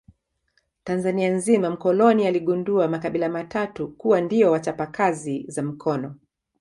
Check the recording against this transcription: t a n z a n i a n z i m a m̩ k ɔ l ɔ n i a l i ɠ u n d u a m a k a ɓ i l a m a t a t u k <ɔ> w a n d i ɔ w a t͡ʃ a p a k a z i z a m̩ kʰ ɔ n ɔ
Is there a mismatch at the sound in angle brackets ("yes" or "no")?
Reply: yes